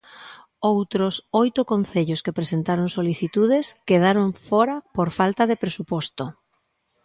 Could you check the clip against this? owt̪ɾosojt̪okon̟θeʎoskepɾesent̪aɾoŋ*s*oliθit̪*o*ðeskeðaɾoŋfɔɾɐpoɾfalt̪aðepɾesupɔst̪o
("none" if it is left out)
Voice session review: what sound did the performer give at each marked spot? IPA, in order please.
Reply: s, u

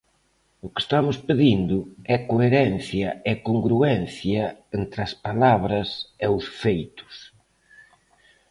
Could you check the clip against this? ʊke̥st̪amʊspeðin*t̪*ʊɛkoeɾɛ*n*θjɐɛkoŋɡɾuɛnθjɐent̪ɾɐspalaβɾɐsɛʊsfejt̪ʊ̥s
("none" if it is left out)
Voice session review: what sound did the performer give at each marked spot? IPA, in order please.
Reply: d̪, n

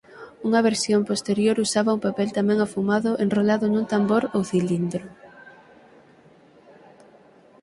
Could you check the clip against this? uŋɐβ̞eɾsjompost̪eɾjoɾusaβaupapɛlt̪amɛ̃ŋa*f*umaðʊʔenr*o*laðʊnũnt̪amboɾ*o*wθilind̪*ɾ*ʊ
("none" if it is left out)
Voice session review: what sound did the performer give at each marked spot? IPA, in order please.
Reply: f, o, o, ɾ

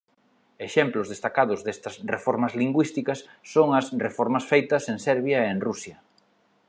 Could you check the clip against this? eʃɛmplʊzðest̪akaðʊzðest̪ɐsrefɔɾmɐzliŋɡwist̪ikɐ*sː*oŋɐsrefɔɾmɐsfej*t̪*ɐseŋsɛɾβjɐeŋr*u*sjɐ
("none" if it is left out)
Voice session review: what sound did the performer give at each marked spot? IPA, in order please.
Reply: sː, t̪, u

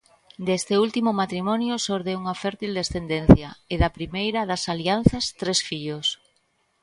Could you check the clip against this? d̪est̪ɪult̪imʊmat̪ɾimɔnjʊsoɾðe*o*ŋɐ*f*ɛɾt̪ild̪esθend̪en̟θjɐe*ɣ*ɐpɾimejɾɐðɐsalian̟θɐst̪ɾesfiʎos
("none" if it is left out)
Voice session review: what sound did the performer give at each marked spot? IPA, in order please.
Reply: u, f, ð

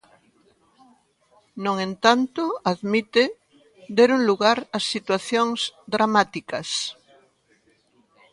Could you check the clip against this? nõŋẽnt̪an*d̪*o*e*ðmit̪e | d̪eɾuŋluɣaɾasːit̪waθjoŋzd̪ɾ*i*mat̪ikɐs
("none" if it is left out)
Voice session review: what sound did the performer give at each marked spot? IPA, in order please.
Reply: t̪, a, a

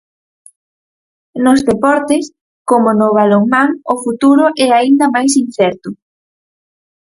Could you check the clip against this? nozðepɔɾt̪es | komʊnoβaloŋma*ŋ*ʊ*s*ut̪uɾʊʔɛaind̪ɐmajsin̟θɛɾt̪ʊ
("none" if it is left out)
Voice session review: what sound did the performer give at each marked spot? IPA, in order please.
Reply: ŋ, f

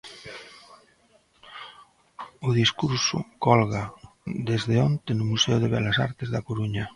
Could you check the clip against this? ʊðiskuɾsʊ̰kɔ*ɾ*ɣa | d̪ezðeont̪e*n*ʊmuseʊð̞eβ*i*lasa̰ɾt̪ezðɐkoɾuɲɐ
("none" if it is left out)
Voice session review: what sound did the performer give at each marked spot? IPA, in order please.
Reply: l, n, ɛ

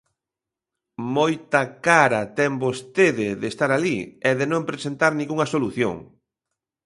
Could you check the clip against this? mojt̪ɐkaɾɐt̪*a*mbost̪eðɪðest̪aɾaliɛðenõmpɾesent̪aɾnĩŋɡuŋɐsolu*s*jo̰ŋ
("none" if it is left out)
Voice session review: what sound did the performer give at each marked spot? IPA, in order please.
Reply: ɛ, θ

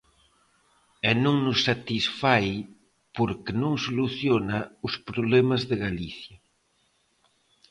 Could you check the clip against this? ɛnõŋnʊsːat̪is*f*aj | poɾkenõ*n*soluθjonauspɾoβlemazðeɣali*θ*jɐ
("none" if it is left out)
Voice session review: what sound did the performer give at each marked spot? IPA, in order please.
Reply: f, ŋ, θ

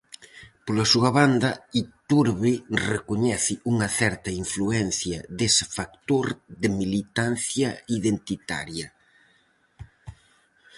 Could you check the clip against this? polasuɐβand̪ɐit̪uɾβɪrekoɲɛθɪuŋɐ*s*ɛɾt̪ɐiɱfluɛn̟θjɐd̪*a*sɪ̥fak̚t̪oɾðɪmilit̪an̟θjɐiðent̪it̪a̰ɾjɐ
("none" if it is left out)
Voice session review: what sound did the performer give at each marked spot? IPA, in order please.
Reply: θ, e

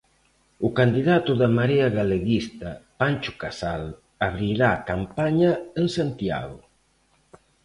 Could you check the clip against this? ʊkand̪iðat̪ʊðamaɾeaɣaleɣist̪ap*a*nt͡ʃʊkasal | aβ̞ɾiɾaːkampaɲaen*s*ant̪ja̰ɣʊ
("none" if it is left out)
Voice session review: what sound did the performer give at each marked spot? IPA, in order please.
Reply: a, s

